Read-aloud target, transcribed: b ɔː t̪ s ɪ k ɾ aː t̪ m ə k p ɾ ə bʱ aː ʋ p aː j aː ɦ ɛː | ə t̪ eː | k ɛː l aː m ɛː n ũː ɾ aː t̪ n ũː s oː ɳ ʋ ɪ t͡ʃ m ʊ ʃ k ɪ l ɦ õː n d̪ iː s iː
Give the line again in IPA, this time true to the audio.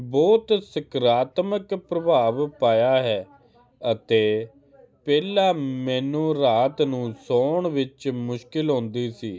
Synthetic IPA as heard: b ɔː t̪ s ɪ k ɾ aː t̪ m ə k p ɾ ə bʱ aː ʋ p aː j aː ɦ ɛː | ə t̪ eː | p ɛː l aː m ɛː n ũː ɾ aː t̪ n ũː s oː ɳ ʋ ɪ t͡ʃ m ʊ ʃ k ɪ l ɦ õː n d̪ iː s iː

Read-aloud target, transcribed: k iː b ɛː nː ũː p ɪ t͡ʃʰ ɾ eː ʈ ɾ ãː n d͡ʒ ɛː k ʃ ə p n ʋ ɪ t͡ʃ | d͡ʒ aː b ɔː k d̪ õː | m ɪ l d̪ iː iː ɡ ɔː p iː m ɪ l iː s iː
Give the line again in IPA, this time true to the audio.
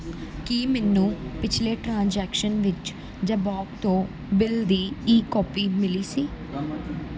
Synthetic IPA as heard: k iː m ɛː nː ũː p ɪ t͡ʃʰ l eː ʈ ɾ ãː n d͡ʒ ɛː k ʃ ə n ʋ ɪ t͡ʃ | d͡ʒ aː b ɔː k t̪ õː | b ɪ l d̪ iː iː k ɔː p iː m ɪ l iː s iː

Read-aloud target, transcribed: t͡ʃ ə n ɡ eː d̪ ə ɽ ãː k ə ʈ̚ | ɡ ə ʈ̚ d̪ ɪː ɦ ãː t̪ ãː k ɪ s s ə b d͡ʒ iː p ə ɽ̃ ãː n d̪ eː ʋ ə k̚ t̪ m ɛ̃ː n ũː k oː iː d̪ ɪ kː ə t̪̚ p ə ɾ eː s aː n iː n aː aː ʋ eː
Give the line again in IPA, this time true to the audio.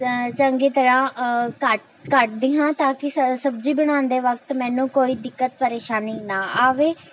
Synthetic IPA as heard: t͡ʃ ə ŋ ɡ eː t̪ ə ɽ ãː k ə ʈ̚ | k ə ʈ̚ d̪ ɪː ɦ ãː t̪ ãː k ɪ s s ə b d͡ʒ iː b ə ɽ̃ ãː n d̪ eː ʋ ə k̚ t̪ m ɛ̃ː n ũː k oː iː d̪ ɪ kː ə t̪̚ p ə ɾ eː ʃ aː n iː n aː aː ʋ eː

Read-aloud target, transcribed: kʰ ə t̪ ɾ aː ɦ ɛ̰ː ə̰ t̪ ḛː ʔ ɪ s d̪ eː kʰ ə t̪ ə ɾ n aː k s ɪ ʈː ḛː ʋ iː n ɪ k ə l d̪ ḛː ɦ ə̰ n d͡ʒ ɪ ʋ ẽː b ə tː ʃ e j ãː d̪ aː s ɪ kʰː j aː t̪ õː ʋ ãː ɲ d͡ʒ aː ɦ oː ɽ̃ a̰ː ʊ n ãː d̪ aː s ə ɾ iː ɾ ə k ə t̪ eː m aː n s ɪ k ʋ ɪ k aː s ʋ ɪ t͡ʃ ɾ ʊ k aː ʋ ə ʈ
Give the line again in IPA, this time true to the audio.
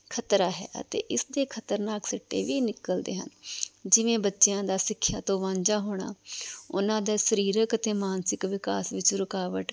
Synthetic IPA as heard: kʰ ə t̪ ɾ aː ɦ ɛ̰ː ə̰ t̪ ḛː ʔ ɪ s d̪ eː kʰ ə t̪ ə ɾ n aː k s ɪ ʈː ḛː ʋ iː n ɪ k ə l d̪ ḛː ɦ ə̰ n d͡ʒ ɪ ʋ ẽː b ə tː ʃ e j ãː d̪ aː s ɪ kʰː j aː t̪ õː ʋ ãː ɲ d͡ʒ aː ɦ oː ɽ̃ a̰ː ʊ n ãː d̪ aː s ə ɾ iː ɾ ə k ə t̪ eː m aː n s ɪ k ʋ ɪ k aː s ʋ ɪ t͡ʃ ɾ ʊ k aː ʋ ə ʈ

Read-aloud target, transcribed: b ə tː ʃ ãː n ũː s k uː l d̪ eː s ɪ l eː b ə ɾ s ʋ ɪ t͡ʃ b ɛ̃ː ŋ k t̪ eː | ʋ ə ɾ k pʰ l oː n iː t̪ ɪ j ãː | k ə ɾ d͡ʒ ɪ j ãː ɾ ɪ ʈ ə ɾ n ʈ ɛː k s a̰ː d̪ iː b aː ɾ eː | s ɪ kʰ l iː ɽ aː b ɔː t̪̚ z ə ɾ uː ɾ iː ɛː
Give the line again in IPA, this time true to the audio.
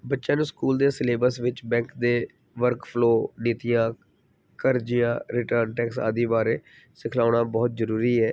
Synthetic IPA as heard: b ə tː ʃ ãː n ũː s k uː l d̪ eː s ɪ l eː b ə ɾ s ʋ ɪ t͡ʃ b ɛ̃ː ŋ k d̪ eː | ʋ ə ɾ k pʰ l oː n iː t̪ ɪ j ãː | k ə ɾ d͡ʒ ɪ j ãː ɾ ɪ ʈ ə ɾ n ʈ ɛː k s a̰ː d̪ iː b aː ɾ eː | s ɪ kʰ l aː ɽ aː b ɔː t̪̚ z ə ɾ uː ɾ iː ɛː

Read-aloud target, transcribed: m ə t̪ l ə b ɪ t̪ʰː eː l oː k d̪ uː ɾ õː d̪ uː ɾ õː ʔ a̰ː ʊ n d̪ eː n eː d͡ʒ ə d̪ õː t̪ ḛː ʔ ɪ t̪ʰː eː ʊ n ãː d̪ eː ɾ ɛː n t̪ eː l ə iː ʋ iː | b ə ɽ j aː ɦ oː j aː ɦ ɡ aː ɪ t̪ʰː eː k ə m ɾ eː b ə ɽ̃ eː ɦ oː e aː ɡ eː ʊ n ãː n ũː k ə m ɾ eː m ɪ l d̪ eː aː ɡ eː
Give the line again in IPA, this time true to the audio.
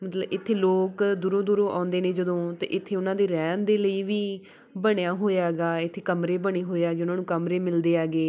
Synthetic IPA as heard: m ə t̪ l ə b ɪ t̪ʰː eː l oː k d̪ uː ɾ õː d̪ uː ɾ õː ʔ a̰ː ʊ n d̪ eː n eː d͡ʒ ə d̪ õː t̪ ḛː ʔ ɪ t̪ʰː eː ʊ n ãː d̪ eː ɾ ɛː n d̪ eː l ə iː ʋ iː | b ə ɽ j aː ɦ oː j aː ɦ ɡ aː ɪ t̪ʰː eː k ə m ɾ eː b ə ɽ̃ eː ɦ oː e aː ɡ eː ʊ n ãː n ũː k ə m ɾ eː m ɪ l d̪ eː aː ɡ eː

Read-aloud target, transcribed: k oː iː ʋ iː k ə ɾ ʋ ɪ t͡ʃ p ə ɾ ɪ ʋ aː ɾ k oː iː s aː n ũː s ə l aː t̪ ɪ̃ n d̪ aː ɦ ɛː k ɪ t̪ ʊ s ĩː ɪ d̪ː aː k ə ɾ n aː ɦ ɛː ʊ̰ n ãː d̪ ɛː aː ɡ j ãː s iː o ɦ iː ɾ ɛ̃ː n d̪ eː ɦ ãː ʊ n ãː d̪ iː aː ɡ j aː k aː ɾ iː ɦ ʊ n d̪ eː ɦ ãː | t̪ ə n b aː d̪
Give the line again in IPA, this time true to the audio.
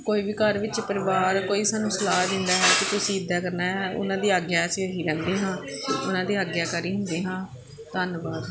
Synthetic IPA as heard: k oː iː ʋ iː k ə ɾ ʋ ɪ t͡ʃ p ə ɾ ɪ ʋ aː ɾ k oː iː s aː n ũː s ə l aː d̪ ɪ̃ n d̪ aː ɦ ɛː k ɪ t̪ ʊ s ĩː ɪ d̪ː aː k ə ɾ n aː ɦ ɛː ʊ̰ n ãː d̪ iː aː ɡ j aː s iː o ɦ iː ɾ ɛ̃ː n d̪ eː ɦ ãː ʊ n ãː d̪ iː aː ɡ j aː k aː ɾ iː ɦ ʊ n d̪ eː ɦ ãː | t̪ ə n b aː d̪

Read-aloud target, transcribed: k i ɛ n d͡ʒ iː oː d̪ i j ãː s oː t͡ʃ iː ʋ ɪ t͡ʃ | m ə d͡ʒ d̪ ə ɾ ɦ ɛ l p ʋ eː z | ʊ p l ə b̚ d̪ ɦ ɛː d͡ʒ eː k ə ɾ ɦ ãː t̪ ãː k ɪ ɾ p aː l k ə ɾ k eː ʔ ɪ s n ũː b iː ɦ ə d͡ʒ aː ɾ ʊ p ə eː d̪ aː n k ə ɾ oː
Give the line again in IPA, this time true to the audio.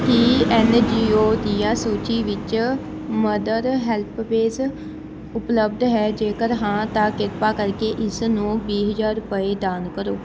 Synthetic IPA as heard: k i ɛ n d͡ʒ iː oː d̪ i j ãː s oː t͡ʃ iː ʋ ɪ t͡ʃ | m ə d̪ ə ɾ ɦ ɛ l p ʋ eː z | ʊ p l ə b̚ d̪ ɦ ɛː d͡ʒ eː k ə ɾ ɦ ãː t̪ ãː k ɪ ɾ p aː k ə ɾ k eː ʔ ɪ s n ũː b iː ɦ ə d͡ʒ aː ɾ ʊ p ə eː d̪ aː n k ə ɾ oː

